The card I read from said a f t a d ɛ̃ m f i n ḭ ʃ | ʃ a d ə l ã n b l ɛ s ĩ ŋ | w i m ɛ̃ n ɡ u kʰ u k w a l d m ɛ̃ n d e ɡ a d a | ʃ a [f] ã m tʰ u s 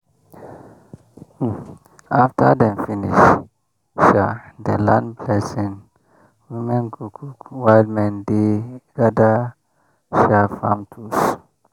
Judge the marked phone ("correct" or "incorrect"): correct